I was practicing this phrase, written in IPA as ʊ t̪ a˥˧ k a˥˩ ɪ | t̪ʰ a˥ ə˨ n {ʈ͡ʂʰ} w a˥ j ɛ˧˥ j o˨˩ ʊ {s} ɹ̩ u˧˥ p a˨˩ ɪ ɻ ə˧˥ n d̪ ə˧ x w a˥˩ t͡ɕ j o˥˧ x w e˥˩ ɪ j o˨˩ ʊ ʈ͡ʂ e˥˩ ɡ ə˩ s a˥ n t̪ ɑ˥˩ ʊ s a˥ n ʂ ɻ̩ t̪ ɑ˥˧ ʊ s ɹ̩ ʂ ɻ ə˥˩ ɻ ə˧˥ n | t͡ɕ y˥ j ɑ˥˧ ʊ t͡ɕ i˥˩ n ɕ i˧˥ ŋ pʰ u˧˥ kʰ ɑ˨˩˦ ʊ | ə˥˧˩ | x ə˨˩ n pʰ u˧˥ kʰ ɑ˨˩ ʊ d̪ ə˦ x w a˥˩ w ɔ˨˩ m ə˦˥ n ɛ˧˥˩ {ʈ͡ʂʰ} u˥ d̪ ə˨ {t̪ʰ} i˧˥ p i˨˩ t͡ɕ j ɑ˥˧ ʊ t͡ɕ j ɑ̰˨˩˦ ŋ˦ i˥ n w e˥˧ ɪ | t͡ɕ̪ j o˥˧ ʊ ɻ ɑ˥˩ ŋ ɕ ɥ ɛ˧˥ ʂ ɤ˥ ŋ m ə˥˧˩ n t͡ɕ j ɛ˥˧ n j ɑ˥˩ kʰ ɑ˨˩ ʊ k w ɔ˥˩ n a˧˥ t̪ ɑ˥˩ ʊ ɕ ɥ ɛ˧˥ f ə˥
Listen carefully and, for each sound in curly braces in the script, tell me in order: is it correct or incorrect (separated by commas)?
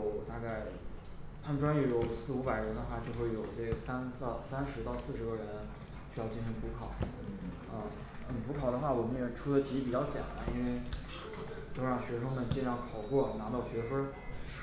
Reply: incorrect, correct, correct, correct